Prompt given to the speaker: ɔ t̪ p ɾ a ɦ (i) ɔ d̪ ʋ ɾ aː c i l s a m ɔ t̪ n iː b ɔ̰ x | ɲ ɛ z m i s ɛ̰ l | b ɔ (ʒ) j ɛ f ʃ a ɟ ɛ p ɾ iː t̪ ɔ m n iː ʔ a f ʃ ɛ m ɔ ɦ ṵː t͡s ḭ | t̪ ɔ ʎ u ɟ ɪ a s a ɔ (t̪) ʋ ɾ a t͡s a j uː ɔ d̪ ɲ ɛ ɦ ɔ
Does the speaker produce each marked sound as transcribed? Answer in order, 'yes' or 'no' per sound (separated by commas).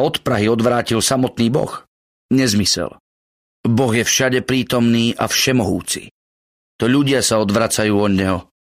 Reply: yes, no, no